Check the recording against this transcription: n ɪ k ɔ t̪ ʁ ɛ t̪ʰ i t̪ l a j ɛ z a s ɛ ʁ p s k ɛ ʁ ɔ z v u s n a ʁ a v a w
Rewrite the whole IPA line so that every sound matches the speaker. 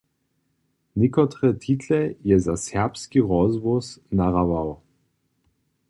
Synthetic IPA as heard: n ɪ k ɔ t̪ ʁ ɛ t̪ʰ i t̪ l ɛ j ɛ z a s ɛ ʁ p s k i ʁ ɔ z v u s n a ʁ a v a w